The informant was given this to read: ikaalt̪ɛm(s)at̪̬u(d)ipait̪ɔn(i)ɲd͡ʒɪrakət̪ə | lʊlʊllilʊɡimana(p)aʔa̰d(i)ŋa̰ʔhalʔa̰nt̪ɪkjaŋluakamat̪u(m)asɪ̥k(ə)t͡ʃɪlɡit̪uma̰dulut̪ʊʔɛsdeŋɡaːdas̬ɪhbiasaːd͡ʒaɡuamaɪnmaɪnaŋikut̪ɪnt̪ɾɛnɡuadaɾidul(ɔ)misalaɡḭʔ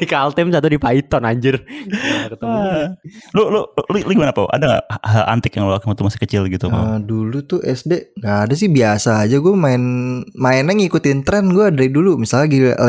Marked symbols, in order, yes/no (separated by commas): yes, yes, no, yes, no, yes, yes, no